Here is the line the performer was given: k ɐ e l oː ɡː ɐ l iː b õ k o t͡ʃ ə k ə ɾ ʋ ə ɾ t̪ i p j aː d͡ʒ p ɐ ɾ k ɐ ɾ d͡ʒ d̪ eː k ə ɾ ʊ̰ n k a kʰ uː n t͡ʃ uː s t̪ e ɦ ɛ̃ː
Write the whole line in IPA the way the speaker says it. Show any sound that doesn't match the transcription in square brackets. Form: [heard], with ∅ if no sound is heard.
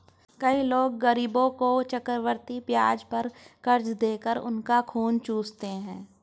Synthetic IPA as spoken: k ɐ [i] l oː ɡː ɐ [ɾ] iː b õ k o t͡ʃ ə k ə ɾ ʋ ə ɾ t̪ i p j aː d͡ʒ p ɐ ɾ k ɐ ɾ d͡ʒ d̪ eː k ə ɾ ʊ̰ n k a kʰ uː n t͡ʃ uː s t̪ e ɦ ɛ̃ː